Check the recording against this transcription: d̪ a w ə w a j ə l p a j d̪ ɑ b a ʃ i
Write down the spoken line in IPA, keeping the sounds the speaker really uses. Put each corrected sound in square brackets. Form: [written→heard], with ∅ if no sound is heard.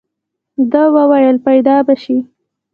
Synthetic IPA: d̪ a w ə w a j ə l p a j d̪ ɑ b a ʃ i

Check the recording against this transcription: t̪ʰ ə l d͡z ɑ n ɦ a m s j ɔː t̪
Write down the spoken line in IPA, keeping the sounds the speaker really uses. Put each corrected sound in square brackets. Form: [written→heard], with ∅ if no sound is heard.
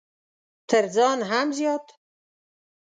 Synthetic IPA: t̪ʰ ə [l→ɾ] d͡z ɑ n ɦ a m [s→z] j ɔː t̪

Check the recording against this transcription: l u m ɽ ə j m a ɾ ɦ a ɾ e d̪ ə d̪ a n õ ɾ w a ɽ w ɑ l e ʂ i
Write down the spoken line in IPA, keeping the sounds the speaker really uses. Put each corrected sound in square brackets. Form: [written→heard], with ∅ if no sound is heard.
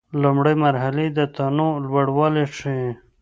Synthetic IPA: l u m ɽ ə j m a ɾ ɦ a [ɾ→l] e d̪ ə [d̪→t̪] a n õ [ɾ→l] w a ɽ w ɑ l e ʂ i

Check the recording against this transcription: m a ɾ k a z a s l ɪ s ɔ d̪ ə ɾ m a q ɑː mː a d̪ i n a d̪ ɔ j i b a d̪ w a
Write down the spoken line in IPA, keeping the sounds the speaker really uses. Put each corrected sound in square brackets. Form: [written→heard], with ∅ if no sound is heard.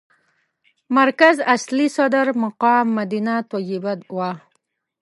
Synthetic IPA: m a ɾ k a z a s l [ɪ→i] s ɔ d̪ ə ɾ m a q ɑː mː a d̪ i n a [d̪→t̪] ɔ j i b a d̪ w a

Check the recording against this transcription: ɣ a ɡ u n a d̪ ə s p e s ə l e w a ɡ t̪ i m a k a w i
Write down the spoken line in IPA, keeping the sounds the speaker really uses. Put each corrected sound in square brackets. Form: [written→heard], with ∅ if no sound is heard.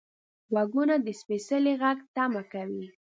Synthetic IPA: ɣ a ɡ u n a d̪ ə s p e s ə l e [w→ɣ] a ɡ t̪ [i→a] m a k a w i

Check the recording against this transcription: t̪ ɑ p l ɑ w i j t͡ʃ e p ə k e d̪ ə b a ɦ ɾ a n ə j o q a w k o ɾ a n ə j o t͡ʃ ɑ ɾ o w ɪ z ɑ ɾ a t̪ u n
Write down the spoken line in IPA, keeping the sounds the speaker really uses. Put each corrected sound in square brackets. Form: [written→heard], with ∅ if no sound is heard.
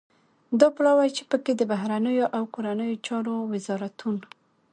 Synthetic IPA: [t̪→d̪] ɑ p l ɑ w [i→a] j t͡ʃ e p ə k e d̪ ə b a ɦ ɾ a n ə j o [q→ʔ] a w k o ɾ a n ə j o t͡ʃ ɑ ɾ o w ɪ z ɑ ɾ a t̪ u n

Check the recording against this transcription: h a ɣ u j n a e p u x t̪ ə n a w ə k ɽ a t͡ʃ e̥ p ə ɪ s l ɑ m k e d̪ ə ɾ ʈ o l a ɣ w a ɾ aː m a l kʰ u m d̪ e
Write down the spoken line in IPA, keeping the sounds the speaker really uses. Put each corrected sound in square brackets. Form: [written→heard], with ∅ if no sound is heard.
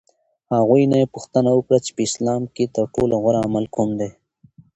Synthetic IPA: h a ɣ u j n a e p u x t̪ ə n a w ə k ɽ a t͡ʃ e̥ p ə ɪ s l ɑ m k e [d̪→t̪] ə ɾ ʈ o l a ɣ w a ɾ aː m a l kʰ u m d̪ e

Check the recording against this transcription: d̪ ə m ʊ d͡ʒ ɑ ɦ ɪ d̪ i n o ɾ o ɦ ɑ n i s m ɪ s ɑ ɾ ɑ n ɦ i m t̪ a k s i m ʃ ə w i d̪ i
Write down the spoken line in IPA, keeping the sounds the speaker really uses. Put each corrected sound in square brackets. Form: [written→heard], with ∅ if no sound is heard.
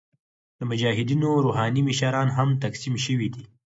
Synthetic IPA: d̪ ə m ʊ d͡ʒ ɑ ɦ ɪ d̪ i n o ɾ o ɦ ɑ n i [s→∅] m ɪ [s→ʃ] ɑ ɾ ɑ n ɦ [i→a] m t̪ a k s i m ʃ ə w i d̪ i

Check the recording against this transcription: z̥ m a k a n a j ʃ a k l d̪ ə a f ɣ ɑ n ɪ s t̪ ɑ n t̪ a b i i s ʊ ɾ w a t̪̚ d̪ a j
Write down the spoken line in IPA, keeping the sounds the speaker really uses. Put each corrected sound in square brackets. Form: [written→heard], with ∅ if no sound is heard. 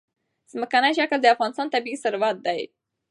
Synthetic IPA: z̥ m [a→ə] k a n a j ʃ a k l d̪ ə a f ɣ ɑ n ɪ s t̪ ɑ n t̪ a b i i s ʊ ɾ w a t̪̚ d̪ a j

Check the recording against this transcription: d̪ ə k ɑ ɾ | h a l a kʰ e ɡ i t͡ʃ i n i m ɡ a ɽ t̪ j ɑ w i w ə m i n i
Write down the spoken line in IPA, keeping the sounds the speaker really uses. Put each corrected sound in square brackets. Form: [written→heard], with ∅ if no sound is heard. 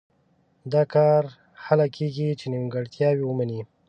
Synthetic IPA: d̪ [ə→ɑ] k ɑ ɾ | h a l a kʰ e ɡ i t͡ʃ [i→e] n i m ɡ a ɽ t̪ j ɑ w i w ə m [i→a] n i

